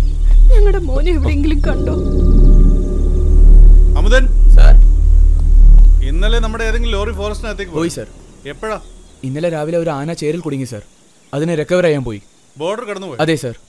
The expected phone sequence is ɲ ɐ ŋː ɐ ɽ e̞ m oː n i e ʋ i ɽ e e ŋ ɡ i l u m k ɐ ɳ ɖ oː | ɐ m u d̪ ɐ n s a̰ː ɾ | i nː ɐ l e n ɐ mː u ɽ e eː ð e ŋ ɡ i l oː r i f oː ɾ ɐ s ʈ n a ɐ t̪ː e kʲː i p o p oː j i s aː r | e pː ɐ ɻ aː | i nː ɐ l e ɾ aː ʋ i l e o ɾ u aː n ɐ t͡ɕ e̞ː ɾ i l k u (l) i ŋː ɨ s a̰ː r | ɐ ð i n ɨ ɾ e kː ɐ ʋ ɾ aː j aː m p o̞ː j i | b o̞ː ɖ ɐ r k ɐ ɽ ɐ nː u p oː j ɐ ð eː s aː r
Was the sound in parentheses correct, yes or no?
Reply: no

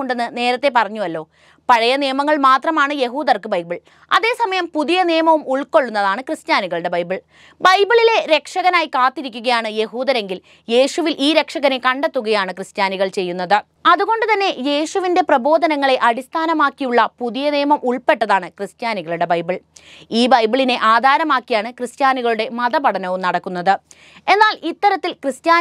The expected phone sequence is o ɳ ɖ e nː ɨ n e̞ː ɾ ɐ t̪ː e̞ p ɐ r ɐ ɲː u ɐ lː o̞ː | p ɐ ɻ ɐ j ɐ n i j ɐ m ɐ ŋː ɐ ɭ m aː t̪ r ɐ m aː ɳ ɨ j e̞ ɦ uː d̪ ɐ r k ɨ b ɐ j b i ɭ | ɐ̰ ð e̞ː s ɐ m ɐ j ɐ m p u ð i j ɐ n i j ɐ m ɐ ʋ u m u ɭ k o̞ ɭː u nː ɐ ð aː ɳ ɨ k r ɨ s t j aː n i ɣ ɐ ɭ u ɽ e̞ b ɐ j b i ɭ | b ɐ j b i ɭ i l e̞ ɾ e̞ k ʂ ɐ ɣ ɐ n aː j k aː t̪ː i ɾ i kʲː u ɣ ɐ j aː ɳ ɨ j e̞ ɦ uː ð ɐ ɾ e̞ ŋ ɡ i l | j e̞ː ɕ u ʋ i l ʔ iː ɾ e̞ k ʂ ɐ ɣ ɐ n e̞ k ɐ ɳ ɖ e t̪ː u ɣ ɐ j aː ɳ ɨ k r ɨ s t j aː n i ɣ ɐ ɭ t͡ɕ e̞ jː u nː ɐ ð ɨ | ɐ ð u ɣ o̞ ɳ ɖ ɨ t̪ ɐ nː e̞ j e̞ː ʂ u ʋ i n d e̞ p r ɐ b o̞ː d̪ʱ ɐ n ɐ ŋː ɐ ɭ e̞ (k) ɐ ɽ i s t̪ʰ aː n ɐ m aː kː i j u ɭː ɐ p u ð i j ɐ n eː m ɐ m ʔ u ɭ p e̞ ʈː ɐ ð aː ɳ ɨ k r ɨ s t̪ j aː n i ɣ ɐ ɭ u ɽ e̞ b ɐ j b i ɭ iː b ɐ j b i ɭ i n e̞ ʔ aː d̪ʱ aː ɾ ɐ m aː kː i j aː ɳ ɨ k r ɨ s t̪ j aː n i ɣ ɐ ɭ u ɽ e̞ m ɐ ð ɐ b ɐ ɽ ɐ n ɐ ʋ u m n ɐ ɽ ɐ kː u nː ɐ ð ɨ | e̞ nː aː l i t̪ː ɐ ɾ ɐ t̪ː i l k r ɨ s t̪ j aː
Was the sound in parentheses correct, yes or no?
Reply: no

